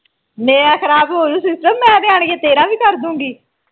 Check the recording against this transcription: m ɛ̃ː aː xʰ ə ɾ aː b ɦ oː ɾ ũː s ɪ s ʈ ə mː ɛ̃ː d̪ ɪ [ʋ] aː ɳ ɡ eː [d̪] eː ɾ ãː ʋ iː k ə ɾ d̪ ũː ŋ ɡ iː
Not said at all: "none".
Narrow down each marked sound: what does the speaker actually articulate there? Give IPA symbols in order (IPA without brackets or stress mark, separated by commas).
none, t̪